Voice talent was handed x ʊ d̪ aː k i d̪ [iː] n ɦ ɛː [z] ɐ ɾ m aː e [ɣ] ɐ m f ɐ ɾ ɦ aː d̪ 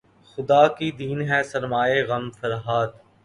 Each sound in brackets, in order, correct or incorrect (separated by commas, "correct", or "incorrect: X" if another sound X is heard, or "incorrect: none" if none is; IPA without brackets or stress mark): correct, incorrect: s, correct